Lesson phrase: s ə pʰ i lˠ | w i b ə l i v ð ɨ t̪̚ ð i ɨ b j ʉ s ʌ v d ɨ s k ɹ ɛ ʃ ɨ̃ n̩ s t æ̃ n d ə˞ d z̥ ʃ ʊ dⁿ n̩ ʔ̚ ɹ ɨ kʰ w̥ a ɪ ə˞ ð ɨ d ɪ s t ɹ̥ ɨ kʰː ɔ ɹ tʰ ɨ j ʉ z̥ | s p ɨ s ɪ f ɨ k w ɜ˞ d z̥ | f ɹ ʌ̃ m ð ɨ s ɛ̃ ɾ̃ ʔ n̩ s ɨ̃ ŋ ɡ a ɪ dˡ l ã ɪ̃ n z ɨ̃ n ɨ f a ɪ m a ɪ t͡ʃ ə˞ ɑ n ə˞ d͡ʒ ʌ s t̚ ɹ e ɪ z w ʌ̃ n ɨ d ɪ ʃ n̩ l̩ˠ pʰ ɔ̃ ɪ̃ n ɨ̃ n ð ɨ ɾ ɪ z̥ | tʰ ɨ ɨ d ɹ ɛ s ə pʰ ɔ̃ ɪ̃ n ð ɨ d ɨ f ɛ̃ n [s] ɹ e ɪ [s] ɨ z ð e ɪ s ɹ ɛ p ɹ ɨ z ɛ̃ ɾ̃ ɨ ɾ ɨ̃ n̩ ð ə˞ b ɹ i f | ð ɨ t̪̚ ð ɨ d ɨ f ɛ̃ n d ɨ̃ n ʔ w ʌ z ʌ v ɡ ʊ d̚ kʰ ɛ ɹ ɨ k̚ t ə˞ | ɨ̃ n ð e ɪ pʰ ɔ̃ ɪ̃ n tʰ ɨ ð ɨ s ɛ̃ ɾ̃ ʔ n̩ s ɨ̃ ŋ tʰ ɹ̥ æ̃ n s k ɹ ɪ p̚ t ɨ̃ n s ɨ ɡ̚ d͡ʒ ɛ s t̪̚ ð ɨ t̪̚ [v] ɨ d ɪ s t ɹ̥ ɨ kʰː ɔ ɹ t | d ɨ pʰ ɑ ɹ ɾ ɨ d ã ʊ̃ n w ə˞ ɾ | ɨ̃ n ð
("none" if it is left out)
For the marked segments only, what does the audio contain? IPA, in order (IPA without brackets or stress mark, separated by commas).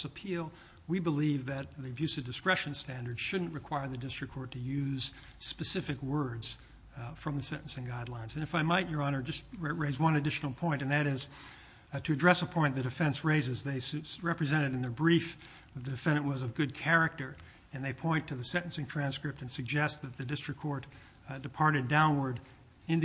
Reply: s, z, ð